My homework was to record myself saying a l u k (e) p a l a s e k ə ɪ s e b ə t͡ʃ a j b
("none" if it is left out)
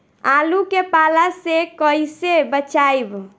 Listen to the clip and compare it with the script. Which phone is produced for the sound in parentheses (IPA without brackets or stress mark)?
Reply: e